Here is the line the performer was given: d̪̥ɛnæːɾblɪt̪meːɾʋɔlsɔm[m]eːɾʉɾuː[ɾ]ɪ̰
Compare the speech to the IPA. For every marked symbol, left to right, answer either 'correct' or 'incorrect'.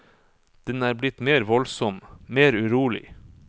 correct, incorrect: l

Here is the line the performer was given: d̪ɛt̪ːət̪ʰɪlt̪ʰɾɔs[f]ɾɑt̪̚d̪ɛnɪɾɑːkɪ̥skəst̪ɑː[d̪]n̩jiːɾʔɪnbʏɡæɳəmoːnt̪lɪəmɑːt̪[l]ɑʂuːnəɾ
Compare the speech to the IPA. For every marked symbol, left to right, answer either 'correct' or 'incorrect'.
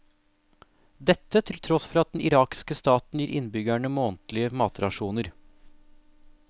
correct, incorrect: t̪, incorrect: ɾ

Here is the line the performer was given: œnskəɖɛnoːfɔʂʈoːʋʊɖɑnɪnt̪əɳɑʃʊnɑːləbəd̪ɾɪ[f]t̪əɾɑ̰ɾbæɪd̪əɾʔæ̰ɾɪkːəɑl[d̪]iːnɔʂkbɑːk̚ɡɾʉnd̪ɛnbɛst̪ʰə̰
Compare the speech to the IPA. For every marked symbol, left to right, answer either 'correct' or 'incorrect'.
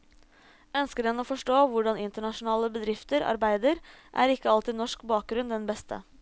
correct, incorrect: t̪

